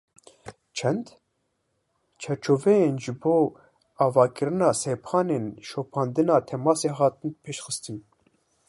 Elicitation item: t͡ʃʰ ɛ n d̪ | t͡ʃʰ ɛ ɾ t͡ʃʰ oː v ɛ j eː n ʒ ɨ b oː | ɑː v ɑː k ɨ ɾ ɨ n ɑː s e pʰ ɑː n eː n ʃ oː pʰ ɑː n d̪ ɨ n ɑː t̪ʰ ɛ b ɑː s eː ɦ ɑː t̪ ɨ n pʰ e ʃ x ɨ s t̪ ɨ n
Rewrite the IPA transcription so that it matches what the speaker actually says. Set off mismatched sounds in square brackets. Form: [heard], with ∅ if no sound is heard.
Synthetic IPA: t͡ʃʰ ɛ n d̪ | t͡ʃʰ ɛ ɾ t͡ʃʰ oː v ɛ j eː n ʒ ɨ b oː | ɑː v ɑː k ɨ ɾ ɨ n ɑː s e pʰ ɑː n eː n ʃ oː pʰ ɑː n d̪ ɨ n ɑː t̪ʰ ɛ [m] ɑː s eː ɦ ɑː t̪ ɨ n pʰ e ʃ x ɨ s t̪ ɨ n